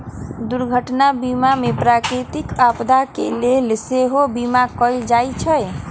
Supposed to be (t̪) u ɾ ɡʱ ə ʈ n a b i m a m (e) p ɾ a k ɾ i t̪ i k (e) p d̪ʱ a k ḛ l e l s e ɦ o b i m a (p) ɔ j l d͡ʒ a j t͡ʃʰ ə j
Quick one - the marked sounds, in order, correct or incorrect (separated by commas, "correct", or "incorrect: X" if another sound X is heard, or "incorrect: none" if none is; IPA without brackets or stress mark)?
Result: incorrect: d̪, correct, incorrect: a, incorrect: k